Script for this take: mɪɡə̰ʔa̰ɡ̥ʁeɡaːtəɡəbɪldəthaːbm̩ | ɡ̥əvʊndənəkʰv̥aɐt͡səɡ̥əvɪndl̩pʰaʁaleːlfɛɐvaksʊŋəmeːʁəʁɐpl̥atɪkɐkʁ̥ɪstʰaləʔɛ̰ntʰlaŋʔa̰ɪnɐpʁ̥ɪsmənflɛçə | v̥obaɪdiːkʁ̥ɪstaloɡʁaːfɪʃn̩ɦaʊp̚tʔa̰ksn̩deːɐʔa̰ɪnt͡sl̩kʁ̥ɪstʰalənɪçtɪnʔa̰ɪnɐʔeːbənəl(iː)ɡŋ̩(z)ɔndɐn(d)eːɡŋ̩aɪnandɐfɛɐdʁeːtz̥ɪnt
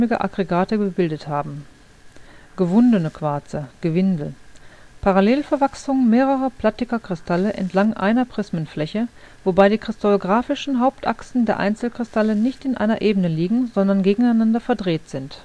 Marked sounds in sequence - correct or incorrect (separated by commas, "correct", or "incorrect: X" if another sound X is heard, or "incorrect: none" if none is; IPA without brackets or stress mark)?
correct, correct, incorrect: ɡ